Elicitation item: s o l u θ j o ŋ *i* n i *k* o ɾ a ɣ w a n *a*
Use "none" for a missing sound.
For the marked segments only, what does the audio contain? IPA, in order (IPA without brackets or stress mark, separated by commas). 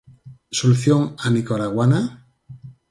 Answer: a, k, a